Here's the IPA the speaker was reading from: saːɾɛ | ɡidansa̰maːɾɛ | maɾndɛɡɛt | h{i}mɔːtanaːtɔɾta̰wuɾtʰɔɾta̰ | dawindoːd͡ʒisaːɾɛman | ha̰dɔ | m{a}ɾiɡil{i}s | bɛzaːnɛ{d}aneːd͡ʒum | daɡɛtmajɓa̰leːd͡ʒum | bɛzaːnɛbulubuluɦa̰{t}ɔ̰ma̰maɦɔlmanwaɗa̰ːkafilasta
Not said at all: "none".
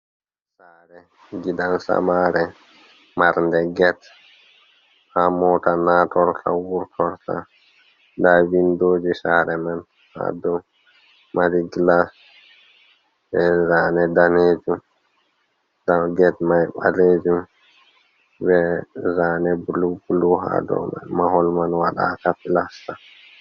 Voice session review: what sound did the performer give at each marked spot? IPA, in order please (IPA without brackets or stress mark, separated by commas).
a, a, a, d, d